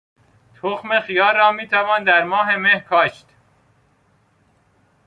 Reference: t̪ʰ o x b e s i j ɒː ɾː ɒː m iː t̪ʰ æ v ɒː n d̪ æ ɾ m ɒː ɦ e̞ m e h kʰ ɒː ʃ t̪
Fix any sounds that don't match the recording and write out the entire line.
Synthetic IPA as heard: t̪ʰ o x m e x i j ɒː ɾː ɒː m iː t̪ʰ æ v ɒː n d̪ æ ɾ m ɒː ɦ e̞ m e h kʰ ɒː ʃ t̪